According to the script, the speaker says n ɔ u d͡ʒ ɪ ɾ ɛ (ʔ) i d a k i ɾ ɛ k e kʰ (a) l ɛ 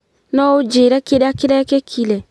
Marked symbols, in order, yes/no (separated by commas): no, no